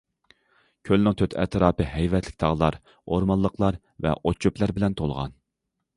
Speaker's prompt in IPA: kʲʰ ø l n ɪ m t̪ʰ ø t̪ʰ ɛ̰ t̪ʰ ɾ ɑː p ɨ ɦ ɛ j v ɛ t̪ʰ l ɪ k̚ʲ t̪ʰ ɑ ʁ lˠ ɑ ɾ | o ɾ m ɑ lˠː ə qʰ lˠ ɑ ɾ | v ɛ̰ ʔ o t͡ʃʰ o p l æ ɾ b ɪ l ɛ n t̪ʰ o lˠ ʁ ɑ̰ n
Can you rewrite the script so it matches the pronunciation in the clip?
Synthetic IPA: kʲʰ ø l n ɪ ŋ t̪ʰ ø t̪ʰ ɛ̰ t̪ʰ ɾ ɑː p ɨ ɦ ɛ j v ɛ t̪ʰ l ɪ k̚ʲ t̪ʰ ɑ ʁ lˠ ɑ ɾ | o ɾ m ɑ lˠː ə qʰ lˠ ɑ ɾ | v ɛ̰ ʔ o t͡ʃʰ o p l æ ɾ b ɪ l ɛ n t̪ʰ o lˠ ʁ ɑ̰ n